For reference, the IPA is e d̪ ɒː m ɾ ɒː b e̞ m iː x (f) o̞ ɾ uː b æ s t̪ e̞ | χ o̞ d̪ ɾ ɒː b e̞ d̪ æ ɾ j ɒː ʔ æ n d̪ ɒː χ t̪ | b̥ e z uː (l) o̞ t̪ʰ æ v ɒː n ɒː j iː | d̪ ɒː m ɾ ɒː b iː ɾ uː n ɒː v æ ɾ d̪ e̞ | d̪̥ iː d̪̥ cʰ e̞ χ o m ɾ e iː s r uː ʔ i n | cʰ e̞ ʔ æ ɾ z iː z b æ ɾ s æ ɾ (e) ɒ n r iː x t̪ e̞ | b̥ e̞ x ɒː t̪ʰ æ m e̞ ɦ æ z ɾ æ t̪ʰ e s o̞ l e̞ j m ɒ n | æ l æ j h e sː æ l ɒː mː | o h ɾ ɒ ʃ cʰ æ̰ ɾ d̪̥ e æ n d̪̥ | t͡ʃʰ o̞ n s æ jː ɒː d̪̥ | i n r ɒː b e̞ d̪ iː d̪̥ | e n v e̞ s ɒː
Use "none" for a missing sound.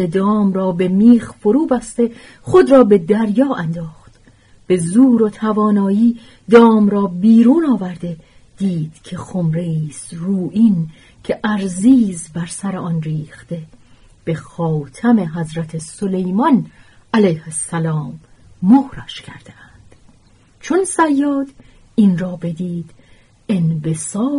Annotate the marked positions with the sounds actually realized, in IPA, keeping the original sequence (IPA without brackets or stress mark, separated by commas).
f, ɾ, e